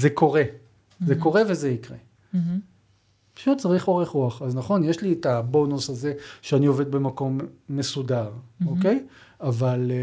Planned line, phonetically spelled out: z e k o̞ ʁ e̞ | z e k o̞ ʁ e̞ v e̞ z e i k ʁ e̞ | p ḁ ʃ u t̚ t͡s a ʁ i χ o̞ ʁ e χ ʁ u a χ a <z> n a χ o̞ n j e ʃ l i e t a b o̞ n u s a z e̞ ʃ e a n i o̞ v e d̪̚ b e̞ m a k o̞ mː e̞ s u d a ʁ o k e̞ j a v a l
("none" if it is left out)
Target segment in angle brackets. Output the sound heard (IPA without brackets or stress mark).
z